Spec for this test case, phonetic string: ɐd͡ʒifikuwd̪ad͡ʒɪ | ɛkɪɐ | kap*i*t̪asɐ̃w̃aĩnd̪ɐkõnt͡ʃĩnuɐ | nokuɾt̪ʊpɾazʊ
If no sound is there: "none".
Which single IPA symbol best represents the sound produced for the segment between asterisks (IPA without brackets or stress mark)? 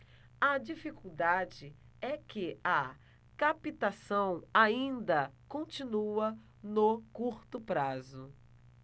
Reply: i